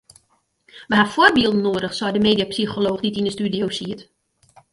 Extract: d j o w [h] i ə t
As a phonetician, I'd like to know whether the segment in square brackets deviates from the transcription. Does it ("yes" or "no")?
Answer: yes